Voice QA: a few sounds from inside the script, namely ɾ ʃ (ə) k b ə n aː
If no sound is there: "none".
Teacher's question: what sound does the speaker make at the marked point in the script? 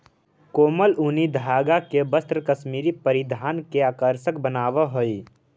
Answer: ə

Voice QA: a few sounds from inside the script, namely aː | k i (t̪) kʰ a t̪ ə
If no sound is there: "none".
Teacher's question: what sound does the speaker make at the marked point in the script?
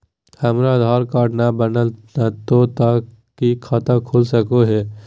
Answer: none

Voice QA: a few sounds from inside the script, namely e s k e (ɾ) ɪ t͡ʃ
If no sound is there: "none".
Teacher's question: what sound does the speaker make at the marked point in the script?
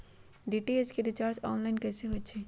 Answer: ɾ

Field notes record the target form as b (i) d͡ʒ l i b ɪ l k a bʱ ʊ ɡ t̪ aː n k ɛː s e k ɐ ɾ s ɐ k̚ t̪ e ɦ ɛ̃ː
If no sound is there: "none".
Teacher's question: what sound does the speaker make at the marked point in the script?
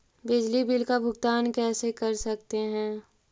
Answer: ɪ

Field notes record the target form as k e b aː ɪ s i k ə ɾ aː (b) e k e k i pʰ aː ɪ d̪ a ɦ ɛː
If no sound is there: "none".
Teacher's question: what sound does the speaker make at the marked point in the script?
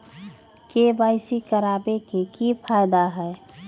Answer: b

